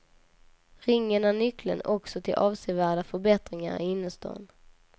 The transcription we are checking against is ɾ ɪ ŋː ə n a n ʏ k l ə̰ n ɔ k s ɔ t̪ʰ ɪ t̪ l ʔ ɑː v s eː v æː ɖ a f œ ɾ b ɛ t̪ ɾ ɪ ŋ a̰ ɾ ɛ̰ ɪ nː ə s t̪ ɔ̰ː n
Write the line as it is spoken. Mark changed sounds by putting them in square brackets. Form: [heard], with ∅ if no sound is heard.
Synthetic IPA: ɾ ɪ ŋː ə n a n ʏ k l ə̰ n ɔ k s ɔ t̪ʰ ɪ [∅] l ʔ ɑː v s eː v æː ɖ a f œ ɾ b ɛ t̪ ɾ ɪ ŋ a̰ ɾ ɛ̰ ɪ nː ə s t̪ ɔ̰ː n